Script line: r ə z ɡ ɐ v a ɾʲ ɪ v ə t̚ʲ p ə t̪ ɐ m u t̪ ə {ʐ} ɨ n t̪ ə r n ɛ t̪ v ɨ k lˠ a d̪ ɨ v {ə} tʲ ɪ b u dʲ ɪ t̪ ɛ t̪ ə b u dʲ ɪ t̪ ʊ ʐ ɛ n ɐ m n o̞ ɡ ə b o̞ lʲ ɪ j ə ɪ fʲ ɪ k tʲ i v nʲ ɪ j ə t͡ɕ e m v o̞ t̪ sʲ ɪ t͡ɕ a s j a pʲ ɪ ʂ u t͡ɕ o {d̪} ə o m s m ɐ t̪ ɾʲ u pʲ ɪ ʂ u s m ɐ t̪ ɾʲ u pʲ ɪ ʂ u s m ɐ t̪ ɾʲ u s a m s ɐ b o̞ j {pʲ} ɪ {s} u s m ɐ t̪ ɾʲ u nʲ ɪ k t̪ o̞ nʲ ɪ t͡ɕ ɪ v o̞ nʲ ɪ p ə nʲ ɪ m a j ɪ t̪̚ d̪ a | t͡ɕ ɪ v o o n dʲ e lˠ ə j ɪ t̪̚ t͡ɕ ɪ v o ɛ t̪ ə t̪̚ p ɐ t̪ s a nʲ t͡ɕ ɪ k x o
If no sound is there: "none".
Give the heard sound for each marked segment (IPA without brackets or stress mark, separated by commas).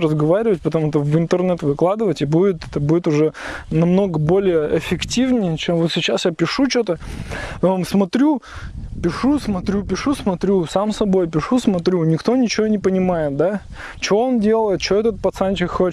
v, ə, t̪, pʲ, ʂ